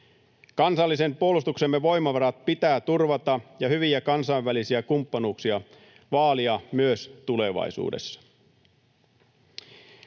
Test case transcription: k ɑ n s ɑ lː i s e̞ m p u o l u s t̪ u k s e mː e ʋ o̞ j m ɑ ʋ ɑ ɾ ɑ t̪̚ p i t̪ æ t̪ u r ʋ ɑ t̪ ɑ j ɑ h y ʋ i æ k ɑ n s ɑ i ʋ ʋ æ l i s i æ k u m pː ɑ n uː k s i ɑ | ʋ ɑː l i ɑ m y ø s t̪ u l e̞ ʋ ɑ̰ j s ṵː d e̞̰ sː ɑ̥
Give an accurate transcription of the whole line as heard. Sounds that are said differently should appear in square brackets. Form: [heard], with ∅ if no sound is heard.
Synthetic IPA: k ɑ n s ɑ lː i s e̞ m p u o l u s t̪ u k s e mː e ʋ o̞ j m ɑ ʋ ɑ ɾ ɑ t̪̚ p i t̪ [æː] t̪ u r ʋ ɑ t̪ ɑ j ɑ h y ʋ i æ k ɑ n s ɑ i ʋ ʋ æ l i s i æ k u m pː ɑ n uː k s i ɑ | ʋ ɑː l i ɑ m y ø s t̪ u l e̞ ʋ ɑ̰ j s ṵː d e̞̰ sː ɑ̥